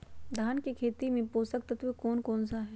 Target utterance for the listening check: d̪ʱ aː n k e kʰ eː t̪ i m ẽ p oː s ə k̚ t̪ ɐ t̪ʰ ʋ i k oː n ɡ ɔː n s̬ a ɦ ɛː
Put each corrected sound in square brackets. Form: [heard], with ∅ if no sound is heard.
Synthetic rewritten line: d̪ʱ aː n k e kʰ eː t̪ i m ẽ p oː s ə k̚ t̪ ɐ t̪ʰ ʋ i k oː n [k] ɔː n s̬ a ɦ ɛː